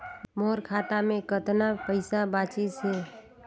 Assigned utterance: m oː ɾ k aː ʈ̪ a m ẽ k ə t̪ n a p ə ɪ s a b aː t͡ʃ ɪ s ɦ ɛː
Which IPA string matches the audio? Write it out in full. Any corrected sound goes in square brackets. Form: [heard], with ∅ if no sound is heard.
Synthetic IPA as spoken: m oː ɾ [kʰ] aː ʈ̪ a m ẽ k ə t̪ n a p ə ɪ s a b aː t͡ʃ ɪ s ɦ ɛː

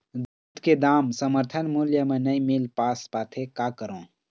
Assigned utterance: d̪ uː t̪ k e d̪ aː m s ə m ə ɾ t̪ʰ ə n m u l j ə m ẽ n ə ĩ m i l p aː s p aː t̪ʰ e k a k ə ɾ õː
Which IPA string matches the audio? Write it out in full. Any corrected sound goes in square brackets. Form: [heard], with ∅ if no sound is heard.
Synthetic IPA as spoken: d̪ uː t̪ k e d̪ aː m s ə m ə ɾ t̪ʰ ə n m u l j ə m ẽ n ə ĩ m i l p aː s p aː t̪ʰ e k a k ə ɾ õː

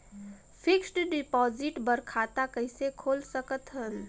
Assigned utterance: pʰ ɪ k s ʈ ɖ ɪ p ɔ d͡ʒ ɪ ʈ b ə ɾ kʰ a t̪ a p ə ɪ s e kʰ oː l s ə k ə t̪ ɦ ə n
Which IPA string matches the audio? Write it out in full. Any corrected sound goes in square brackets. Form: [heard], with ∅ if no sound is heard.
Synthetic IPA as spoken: pʰ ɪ k s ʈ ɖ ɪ p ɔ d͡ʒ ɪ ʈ b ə ɾ kʰ a t̪ a [k] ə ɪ s e kʰ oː l s ə k ə t̪ ɦ ə n

